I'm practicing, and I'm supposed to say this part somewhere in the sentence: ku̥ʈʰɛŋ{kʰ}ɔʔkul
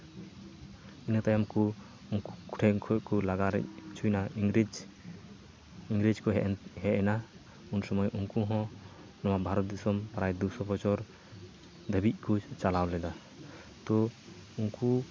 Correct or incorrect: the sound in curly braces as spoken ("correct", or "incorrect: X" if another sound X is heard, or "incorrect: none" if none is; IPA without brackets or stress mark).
correct